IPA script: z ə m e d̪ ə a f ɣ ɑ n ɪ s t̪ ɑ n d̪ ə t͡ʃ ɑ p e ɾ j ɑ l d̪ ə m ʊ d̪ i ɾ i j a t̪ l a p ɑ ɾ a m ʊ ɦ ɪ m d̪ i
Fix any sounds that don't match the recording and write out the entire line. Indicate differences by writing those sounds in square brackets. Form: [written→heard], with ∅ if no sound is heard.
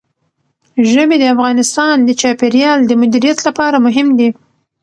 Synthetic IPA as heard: [z→ʒ] ə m e d̪ ə a f ɣ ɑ n ɪ s t̪ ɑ n d̪ ə t͡ʃ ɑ p e ɾ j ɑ l d̪ ə m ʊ d̪ i ɾ i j a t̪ l a p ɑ ɾ a m ʊ ɦ ɪ m d̪ i